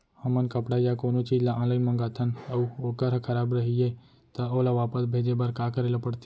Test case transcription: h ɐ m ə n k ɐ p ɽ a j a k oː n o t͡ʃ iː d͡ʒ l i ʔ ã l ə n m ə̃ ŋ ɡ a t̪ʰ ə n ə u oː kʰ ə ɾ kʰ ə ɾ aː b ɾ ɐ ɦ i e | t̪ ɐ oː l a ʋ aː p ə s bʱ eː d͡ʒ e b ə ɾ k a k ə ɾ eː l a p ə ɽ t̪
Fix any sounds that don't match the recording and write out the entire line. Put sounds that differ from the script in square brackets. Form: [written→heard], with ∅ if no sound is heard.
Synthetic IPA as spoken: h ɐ m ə n k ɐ p ɽ a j a k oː n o t͡ʃ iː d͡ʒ l [i→a] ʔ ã l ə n m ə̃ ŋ ɡ a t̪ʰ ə n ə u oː [kʰ→k] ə ɾ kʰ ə ɾ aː b ɾ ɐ ɦ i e | t̪ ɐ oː l a ʋ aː p ə s bʱ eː d͡ʒ e b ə ɾ k a k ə ɾ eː l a p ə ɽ t̪